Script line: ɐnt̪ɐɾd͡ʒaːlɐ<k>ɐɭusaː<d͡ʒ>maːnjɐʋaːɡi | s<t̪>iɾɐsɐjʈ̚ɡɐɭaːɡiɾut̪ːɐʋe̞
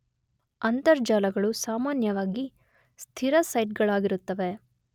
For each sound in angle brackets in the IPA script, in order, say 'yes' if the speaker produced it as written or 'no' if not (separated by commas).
no, no, no